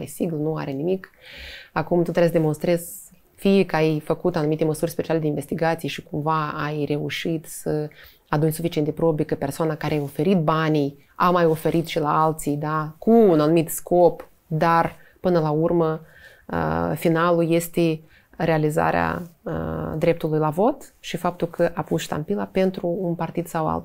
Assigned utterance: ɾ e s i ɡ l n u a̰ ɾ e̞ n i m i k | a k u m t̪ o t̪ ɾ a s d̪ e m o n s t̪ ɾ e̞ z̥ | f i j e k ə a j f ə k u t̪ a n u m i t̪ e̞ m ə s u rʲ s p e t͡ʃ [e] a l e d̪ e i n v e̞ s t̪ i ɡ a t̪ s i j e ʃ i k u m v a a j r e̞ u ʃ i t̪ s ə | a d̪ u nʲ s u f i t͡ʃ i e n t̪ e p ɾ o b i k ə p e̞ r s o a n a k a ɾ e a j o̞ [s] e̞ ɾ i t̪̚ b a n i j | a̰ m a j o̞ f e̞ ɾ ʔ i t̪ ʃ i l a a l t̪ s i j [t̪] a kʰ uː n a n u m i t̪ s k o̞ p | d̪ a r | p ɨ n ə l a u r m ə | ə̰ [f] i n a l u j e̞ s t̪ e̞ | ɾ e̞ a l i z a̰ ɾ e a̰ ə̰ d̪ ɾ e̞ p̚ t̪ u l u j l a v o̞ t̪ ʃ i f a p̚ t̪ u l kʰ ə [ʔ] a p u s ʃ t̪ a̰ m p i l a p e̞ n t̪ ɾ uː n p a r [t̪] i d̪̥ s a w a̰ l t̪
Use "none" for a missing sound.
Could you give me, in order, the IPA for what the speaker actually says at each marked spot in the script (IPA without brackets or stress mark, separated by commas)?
i, f, d̪, f, ʔ, t̪